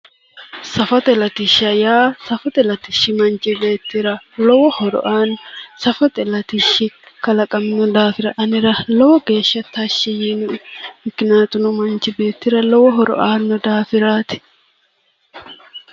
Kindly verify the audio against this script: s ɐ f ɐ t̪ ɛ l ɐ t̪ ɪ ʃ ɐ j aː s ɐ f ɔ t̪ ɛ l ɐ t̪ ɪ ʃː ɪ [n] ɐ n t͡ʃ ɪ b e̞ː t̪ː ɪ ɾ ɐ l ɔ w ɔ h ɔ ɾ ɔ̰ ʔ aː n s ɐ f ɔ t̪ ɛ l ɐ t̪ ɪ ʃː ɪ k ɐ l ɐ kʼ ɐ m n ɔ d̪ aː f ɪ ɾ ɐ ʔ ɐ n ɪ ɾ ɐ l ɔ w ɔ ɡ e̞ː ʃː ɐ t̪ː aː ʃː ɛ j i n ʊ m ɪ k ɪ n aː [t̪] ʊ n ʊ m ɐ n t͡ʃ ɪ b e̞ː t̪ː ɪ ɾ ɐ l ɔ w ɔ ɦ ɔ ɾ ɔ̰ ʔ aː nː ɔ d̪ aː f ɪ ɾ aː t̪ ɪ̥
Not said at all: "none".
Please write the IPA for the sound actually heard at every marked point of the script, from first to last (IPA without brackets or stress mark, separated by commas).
m, t̪